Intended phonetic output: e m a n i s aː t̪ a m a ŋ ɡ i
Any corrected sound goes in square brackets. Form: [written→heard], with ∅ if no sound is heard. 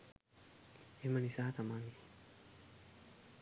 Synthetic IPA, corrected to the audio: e m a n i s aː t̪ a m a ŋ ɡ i